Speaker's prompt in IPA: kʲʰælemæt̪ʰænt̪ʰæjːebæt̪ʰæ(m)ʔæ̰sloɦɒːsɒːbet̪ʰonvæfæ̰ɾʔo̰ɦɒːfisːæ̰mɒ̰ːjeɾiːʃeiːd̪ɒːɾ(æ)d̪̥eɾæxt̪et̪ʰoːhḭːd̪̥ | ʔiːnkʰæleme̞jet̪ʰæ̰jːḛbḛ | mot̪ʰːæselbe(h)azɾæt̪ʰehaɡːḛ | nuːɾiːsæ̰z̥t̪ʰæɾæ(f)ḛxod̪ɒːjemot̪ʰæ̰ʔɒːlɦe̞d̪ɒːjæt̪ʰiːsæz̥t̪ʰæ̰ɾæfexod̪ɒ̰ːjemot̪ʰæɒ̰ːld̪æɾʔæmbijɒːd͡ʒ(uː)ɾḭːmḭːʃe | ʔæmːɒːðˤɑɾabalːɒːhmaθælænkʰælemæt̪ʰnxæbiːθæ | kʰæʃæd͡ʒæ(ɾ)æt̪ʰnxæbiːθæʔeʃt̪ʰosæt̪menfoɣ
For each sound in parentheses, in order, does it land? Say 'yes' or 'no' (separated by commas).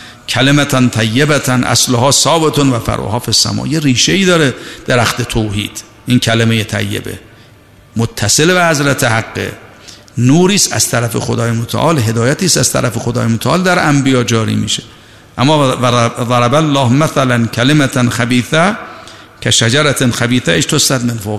no, no, yes, yes, no, yes